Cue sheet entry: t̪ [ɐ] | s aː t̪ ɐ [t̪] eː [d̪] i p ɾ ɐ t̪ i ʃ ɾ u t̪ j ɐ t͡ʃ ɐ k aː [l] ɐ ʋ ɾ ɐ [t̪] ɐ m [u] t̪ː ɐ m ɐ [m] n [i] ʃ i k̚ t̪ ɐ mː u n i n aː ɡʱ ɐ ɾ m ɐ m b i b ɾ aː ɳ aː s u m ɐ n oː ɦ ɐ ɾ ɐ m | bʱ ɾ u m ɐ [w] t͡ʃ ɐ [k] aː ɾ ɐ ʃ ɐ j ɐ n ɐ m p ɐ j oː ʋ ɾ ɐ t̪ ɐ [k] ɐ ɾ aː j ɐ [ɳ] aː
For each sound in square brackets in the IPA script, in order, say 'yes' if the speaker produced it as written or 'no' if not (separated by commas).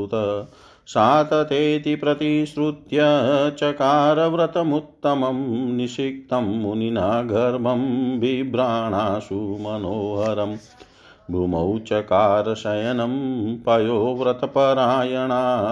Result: yes, yes, no, no, yes, yes, yes, yes, yes, yes, no, yes